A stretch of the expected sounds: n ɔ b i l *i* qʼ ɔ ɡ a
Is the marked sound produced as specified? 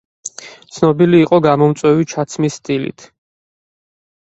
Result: no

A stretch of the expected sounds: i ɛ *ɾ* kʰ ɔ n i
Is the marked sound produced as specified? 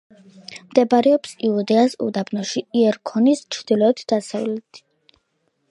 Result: yes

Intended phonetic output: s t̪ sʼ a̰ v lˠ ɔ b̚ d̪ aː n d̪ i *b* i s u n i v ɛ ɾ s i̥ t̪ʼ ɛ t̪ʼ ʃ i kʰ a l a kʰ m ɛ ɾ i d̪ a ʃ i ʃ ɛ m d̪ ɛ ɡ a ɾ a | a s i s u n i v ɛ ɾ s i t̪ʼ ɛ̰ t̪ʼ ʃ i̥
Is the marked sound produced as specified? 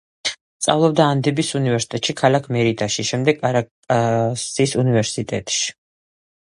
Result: yes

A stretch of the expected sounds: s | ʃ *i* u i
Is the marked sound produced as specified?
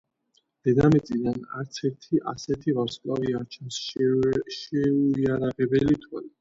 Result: no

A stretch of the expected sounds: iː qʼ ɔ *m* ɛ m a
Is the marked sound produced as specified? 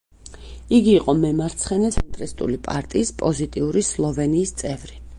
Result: yes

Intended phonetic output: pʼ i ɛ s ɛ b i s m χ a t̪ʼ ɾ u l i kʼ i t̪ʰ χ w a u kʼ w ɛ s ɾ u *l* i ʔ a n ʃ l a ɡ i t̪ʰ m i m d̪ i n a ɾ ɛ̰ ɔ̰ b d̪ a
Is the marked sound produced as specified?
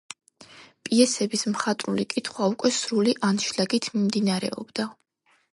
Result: yes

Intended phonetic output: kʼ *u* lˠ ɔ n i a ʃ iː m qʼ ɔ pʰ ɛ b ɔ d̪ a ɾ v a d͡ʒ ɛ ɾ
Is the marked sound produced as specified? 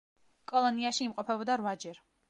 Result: no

